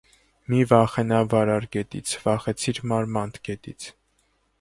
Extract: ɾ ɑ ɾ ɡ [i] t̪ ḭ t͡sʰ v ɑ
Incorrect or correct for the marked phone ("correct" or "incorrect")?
incorrect